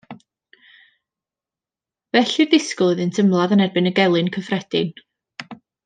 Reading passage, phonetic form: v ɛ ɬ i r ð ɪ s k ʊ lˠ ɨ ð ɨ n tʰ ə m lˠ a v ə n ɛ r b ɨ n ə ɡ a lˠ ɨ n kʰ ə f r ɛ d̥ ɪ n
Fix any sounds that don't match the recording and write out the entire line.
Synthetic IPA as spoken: v ɛ ɬ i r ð ɪ s k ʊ lˠ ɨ ð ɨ n tʰ ə m lˠ a ð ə n ɛ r b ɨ n ə ɡ ɛ lˠ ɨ n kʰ ə f r ɛ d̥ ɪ n